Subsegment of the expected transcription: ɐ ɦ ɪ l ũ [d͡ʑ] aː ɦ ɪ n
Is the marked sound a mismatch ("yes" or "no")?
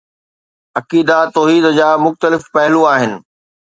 yes